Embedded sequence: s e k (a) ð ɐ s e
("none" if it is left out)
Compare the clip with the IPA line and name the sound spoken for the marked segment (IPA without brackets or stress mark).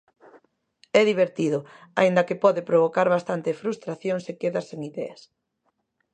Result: e